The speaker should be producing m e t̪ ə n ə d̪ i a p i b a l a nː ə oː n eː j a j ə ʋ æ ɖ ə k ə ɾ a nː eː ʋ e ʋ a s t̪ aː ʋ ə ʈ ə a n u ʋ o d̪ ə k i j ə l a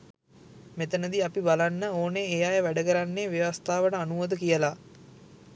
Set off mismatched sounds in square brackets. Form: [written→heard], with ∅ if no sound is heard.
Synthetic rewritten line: m e t̪ ə n ə d̪ i a p i b a l a nː ə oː n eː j a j ə ʋ æ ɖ ə k ə ɾ a nː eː ʋ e ʋ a s t̪ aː ʋ ə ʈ ə a n u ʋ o d̪ ə k i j ə l a